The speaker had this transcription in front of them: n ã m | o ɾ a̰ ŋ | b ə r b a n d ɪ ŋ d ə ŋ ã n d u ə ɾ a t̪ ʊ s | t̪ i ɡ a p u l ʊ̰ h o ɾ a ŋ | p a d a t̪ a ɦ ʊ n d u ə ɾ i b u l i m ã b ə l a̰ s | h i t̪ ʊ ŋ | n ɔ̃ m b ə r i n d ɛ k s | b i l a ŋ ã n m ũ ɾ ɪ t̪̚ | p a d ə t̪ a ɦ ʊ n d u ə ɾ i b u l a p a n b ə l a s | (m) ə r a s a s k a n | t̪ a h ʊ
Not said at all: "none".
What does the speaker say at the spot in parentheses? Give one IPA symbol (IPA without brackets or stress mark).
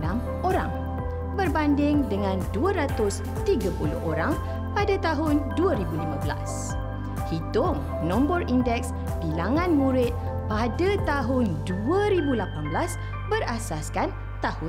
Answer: b